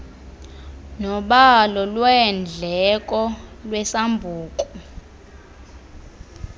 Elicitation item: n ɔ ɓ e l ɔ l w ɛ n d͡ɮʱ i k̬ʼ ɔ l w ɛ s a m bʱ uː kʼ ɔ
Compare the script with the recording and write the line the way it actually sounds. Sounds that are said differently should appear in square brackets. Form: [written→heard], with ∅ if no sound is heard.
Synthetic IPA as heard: n ɔ ɓ [e→a] l ɔ l w ɛ n d͡ɮʱ [i→ɛ] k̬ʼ ɔ l w ɛ s a m bʱ uː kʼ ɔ